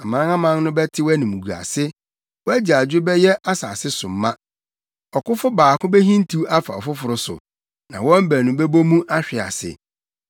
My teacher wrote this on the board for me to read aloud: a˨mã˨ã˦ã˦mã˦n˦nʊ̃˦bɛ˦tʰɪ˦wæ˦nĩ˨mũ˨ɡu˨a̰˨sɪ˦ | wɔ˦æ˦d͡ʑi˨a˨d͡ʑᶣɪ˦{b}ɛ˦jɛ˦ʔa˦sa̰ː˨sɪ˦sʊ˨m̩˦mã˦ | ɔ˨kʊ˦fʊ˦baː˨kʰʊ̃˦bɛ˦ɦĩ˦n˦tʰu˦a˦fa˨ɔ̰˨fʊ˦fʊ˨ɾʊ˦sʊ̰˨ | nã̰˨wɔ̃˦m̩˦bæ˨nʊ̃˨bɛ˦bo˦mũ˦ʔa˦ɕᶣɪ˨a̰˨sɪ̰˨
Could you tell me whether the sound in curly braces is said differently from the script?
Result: no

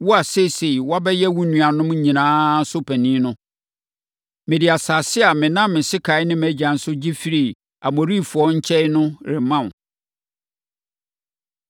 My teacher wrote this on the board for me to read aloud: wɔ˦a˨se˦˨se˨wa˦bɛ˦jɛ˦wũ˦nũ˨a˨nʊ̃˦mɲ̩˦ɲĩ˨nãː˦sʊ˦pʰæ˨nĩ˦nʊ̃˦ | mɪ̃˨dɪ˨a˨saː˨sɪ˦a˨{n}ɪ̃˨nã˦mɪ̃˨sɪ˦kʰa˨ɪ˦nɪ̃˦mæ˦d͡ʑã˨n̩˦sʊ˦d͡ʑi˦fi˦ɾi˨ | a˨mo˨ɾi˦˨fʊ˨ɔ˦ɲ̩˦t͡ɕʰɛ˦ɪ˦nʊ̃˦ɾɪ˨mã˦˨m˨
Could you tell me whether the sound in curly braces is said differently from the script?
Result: yes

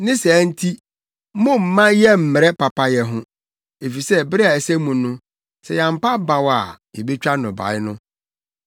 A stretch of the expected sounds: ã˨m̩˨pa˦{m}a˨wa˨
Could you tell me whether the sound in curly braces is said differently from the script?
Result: yes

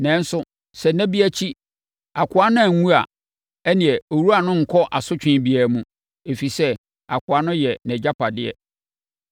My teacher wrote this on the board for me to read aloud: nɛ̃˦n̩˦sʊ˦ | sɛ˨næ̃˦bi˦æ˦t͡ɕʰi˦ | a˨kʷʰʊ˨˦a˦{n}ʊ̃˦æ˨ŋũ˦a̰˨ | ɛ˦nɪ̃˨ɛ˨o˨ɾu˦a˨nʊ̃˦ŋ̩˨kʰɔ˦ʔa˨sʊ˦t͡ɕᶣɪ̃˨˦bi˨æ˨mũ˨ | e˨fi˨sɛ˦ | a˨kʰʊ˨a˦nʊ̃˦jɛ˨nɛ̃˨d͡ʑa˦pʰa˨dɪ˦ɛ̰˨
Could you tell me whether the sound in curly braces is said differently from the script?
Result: no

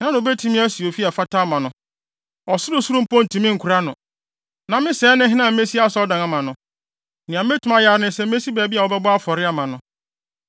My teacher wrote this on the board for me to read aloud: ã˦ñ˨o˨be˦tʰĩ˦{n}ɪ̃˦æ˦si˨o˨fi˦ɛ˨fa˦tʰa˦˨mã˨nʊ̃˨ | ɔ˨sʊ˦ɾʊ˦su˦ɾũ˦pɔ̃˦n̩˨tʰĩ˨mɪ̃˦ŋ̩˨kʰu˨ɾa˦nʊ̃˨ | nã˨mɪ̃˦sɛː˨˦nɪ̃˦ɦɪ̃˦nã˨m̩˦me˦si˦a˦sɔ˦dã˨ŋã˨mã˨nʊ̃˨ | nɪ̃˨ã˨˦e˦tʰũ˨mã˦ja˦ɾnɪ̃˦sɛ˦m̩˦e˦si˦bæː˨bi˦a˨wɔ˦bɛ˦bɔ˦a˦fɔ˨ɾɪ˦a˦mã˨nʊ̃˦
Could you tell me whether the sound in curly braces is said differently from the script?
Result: yes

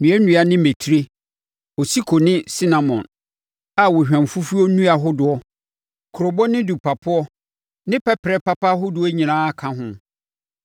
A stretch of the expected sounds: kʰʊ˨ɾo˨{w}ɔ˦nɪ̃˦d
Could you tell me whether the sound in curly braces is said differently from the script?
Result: yes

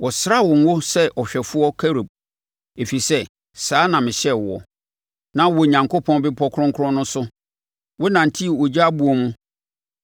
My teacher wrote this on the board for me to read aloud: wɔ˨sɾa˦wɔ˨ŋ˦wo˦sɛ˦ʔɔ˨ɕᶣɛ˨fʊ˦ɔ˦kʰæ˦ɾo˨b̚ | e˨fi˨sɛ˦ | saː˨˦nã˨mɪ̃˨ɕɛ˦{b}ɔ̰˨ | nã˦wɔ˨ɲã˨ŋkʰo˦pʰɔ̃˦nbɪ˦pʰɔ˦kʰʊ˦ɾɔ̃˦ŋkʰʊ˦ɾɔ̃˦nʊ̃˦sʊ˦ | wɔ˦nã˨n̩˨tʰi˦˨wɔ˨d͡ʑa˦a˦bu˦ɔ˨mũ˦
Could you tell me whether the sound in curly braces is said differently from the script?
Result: yes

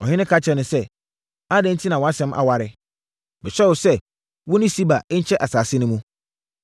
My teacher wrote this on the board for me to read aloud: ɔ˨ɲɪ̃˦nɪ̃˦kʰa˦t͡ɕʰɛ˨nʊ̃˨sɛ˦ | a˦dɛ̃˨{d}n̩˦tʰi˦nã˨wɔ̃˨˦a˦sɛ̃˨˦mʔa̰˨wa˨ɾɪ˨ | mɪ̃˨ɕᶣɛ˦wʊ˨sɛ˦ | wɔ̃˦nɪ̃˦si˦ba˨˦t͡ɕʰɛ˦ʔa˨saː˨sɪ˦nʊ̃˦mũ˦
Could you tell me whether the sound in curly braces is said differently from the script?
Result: yes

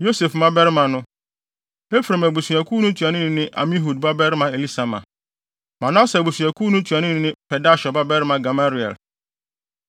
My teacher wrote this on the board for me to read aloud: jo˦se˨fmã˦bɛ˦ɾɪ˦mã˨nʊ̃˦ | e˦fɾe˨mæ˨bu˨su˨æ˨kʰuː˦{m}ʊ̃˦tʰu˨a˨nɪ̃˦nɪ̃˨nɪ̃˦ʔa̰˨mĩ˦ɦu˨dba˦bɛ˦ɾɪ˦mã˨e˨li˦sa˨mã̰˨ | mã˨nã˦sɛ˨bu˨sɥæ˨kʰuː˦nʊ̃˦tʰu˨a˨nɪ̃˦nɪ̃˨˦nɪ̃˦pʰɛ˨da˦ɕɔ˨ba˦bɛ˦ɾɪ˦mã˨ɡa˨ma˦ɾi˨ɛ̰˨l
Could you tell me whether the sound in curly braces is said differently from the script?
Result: yes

